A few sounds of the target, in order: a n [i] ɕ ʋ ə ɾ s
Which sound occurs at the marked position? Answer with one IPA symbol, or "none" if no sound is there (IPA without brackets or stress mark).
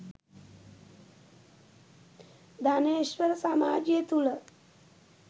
e